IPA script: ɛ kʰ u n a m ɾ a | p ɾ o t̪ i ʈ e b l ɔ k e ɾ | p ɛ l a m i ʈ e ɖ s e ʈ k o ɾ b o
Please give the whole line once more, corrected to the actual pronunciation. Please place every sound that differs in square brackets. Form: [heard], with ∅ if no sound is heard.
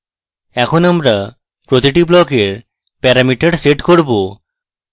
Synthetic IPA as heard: ɛ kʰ [o] n a m ɾ a | p ɾ o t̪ i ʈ [i] b l ɔ k e ɾ | p ɛ [ɾ] a m i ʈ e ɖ s e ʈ k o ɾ b o